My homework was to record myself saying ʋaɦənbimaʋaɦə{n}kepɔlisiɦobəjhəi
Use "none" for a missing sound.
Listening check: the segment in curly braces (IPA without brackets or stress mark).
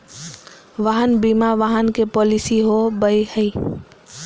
n